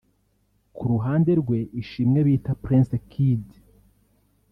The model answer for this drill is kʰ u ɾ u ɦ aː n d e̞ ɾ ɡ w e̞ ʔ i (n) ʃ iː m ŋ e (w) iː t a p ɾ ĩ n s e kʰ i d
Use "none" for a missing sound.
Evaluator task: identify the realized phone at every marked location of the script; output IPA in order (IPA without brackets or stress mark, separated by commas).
none, β